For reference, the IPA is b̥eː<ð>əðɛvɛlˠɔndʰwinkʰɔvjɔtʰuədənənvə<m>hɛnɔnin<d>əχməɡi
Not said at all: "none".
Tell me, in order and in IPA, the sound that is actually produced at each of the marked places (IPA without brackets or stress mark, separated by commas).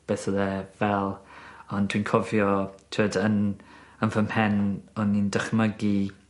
θ, m, d